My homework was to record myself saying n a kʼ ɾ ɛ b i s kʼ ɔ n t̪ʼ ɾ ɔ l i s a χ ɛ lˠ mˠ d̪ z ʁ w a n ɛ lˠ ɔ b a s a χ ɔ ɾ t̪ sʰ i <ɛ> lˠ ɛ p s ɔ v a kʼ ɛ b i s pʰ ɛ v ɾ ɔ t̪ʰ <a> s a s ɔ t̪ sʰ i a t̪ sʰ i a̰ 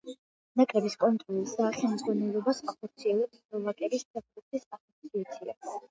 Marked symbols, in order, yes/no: yes, no

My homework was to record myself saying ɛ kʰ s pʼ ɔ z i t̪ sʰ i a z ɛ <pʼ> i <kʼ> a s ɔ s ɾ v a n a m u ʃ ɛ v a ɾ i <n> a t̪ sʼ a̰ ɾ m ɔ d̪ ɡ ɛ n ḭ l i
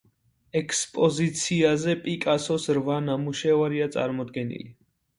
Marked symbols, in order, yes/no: yes, yes, no

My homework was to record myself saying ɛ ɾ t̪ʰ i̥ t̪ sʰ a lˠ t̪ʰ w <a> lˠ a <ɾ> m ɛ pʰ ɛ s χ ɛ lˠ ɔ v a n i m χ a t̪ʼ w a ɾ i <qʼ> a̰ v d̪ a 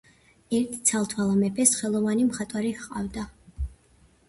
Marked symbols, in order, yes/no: yes, no, yes

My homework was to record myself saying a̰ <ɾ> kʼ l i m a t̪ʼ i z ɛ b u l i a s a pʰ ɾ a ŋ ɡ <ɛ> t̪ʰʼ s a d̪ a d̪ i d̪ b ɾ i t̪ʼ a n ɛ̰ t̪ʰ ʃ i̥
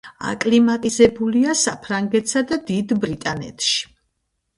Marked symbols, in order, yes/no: no, yes

